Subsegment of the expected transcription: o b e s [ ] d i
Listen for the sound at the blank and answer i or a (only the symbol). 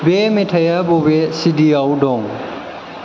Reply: i